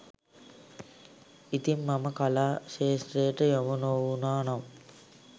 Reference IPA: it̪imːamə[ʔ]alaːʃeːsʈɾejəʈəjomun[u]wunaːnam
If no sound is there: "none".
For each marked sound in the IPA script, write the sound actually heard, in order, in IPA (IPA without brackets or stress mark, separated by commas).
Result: k, o